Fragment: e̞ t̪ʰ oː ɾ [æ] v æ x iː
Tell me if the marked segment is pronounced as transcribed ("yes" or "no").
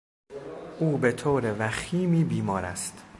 no